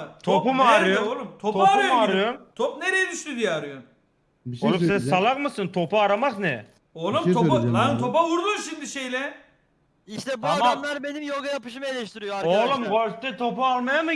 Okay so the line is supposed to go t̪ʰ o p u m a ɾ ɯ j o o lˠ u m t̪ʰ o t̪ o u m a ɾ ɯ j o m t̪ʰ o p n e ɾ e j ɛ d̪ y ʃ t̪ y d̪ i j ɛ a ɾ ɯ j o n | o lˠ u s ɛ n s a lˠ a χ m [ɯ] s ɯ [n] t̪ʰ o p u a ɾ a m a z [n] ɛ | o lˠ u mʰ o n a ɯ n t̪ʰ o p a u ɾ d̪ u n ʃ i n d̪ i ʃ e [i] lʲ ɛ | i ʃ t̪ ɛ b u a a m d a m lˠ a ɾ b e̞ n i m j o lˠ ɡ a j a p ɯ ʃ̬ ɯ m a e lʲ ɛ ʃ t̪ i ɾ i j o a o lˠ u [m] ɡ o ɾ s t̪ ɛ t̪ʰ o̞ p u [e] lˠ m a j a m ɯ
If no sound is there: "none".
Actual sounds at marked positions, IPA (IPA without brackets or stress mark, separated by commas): ɯ, n, n, j, m, a